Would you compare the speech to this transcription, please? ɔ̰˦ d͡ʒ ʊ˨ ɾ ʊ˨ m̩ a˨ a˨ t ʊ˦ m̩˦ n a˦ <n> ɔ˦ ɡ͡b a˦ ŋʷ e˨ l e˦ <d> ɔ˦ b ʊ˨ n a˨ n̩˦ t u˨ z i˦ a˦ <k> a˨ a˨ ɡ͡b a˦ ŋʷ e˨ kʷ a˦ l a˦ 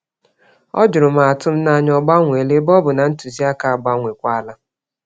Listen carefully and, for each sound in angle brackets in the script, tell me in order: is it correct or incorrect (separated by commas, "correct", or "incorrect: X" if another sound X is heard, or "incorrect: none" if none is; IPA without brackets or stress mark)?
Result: incorrect: ɲ, incorrect: b, correct